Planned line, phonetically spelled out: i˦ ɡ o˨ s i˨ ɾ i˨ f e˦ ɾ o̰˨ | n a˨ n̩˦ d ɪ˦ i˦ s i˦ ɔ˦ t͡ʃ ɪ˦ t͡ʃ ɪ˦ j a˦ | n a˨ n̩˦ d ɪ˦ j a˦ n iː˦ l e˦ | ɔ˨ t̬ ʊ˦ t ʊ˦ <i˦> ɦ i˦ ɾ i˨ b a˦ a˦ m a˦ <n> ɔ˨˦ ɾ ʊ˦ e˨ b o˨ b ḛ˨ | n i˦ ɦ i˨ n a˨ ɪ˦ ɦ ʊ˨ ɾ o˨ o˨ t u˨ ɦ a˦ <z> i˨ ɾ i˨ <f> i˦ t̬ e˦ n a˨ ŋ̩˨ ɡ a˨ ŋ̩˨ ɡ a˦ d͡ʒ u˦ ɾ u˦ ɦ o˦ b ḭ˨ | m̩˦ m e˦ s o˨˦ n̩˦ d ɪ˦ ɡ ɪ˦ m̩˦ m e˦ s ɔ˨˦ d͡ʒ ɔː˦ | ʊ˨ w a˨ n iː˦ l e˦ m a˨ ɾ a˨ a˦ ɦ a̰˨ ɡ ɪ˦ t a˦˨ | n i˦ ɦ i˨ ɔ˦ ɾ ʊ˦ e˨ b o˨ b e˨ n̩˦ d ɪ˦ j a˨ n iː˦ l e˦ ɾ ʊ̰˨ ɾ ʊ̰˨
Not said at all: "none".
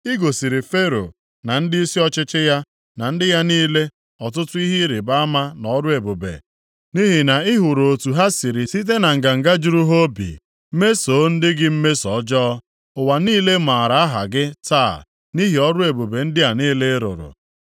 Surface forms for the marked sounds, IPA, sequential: i˦, n, s, s

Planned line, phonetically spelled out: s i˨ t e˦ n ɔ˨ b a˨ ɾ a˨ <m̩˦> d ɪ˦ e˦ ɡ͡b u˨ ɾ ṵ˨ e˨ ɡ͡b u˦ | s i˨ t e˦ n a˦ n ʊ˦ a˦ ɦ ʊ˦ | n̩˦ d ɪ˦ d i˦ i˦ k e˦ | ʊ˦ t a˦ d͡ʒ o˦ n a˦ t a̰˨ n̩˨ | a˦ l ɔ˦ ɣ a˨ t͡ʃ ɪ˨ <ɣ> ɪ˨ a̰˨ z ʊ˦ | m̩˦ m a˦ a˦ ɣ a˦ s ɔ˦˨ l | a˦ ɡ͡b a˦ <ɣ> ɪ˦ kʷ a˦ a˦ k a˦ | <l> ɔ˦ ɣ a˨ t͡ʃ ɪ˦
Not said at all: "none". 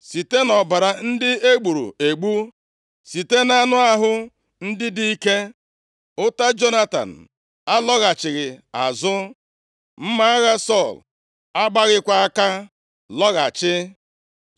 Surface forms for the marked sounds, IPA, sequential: n̩˦, ɣ, ɣ, l

